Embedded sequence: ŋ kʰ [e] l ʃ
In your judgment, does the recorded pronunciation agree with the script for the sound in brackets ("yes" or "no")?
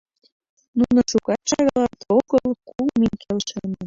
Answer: yes